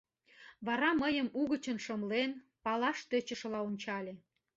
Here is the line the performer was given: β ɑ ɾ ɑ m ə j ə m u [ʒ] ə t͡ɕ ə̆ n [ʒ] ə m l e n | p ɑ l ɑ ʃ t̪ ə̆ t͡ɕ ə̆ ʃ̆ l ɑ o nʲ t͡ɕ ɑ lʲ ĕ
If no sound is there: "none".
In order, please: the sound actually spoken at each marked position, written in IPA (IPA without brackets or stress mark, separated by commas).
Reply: ɣ, ʃ